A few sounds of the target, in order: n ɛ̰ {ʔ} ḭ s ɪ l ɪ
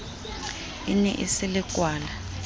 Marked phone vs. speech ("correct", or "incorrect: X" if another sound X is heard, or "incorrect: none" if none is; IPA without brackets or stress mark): correct